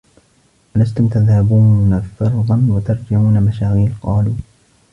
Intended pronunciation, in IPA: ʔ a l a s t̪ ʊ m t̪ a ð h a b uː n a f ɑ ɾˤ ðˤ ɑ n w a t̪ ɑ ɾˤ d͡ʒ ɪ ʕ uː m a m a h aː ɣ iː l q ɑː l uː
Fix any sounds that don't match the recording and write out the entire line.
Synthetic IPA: ʔ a l a s t̪ ʊ m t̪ a ð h a b uː n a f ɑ ɾˤ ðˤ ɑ n w a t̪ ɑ ɾˤ d͡ʒ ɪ ʕ uː n a m a ʃ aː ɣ iː l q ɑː l uː